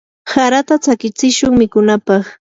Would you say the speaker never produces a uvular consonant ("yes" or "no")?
no